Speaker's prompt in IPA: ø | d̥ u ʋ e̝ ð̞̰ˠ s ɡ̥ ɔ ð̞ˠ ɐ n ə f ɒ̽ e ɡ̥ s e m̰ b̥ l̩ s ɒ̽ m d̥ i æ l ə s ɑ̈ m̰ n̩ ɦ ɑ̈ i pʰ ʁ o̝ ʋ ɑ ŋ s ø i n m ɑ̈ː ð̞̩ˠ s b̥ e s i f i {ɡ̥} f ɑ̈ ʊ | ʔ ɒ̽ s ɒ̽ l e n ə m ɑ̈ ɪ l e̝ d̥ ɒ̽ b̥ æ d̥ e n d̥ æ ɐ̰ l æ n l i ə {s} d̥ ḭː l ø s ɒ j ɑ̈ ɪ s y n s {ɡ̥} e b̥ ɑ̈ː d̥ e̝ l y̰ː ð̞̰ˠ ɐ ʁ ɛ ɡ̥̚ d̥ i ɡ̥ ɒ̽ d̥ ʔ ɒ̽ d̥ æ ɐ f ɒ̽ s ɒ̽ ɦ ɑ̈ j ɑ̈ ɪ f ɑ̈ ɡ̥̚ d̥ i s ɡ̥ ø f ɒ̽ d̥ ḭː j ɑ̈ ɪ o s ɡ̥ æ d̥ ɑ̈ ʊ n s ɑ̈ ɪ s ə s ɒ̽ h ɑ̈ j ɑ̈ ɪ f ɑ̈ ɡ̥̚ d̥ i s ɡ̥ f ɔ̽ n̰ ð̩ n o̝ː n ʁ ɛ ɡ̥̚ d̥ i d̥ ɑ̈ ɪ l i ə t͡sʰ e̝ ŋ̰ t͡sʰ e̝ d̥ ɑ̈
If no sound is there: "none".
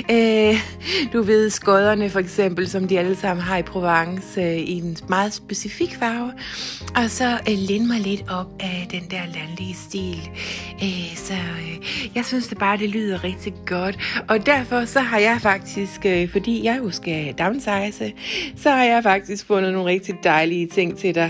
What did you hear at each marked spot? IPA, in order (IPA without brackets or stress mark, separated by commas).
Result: ɡ̥, s, d̥